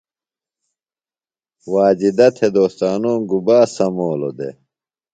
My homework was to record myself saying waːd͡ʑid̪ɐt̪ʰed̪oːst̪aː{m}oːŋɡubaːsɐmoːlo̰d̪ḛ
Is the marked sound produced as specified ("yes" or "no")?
no